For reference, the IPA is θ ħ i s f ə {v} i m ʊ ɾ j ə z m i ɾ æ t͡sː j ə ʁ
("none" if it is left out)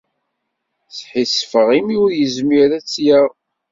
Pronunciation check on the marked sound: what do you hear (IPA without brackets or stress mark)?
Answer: ʁ